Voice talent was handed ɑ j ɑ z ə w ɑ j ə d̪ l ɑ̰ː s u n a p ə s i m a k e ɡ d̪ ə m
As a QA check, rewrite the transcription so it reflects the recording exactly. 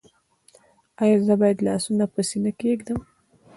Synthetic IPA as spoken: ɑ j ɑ z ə b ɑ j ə d̪ l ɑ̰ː s u n a p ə s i n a k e ɡ d̪ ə m

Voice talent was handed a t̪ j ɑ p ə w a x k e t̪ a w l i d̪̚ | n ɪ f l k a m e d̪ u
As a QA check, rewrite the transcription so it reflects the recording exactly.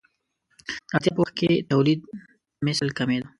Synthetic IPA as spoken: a t̪ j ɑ p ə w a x k e t̪ a w l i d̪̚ | m ɪ s l k a m e d̪ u

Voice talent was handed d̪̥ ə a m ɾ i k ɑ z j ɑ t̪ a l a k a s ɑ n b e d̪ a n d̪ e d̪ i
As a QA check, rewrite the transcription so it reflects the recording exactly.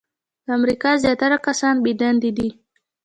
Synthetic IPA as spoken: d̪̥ ə a m ɾ i k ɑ z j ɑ t̪ a ɾ a k a s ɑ n b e d̪ a n d̪ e d̪ i

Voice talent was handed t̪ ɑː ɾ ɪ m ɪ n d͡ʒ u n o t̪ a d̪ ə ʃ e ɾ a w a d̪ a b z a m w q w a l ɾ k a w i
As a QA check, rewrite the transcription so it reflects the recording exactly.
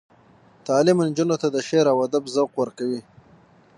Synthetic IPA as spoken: t̪ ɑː l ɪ m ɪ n d͡ʒ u n o t̪ a d̪ ə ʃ e ɾ a w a d̪ a b z a w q w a ɾ k a w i

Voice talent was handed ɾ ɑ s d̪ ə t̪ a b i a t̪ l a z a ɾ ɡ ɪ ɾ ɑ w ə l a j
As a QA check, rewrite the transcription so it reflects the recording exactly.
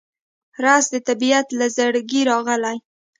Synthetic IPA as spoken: ɾ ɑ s d̪ ə t̪ a b i a t̪ l a z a ɽ ɡ i ɾ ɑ ɣ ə l a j

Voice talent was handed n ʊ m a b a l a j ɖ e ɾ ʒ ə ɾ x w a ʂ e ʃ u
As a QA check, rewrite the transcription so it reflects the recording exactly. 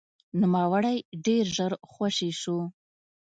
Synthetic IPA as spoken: n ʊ m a w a ɽ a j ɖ e ɾ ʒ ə ɾ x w a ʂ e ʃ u

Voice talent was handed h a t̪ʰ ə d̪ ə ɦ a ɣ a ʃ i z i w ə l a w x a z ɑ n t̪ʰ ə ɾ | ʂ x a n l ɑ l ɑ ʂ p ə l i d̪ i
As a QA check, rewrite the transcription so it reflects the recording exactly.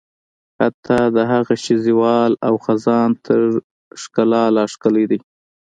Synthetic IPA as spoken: h a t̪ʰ ɑ d̪ ə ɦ a ɣ a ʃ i z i w ɑ l a w x a z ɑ n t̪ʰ ə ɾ | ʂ k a l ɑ l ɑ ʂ k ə l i d̪ i

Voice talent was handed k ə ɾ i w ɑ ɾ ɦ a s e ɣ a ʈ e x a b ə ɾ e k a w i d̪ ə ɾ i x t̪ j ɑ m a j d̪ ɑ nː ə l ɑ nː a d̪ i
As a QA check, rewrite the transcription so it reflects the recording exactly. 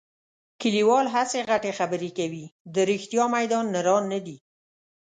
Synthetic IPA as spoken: k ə l i w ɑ l ɦ a s e ɣ a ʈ e x a b ə ɾ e k a w i d̪ ə ɾ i x t̪ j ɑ m a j d̪ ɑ nː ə ɾ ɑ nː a d̪ i

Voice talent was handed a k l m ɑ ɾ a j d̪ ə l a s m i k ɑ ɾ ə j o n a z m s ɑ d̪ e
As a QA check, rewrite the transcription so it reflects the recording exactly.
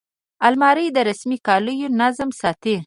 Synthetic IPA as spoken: a l m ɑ ɾ ə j d̪ ə ɾ a s m i k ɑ l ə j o n a z m s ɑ t̪ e

